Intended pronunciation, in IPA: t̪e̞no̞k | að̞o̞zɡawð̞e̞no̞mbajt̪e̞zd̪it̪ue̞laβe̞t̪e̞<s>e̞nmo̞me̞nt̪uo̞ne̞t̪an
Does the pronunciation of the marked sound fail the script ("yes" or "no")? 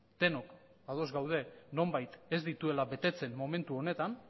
yes